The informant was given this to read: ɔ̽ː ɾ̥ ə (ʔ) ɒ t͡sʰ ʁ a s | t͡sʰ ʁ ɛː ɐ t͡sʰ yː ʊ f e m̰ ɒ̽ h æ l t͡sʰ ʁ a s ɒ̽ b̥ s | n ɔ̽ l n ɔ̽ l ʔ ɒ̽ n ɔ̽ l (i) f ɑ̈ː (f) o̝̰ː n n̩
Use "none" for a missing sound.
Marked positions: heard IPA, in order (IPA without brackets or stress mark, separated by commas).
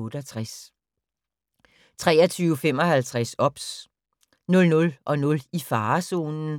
none, i, s